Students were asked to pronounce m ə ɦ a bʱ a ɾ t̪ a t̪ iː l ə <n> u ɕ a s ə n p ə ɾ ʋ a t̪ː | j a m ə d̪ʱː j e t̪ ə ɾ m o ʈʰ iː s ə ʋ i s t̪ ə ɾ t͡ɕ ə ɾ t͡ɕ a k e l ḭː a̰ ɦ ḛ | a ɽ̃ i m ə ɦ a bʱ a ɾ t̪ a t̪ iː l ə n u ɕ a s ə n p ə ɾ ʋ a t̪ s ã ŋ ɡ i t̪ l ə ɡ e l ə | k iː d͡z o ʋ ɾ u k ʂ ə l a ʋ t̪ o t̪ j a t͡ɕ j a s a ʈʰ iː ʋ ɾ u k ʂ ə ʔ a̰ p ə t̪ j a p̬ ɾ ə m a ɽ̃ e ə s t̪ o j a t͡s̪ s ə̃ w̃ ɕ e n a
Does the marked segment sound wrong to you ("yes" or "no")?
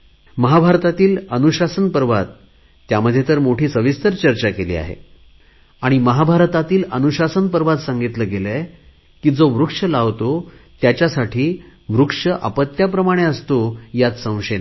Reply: no